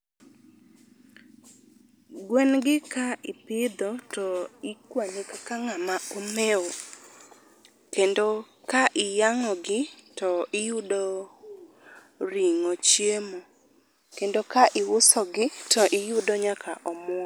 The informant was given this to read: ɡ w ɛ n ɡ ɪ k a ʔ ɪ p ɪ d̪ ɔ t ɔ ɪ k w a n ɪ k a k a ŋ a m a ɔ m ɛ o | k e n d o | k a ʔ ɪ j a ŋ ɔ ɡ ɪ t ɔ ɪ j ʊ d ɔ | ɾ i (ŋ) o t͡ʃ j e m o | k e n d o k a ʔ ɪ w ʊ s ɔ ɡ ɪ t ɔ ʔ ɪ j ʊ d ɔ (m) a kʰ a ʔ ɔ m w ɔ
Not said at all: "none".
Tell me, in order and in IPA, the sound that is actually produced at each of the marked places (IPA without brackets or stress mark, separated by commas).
ŋ, ɲ